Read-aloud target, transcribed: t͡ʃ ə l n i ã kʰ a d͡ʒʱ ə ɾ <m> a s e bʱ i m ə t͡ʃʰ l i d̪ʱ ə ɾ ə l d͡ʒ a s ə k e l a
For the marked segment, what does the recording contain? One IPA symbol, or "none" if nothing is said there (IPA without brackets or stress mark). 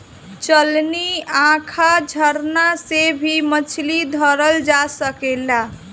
n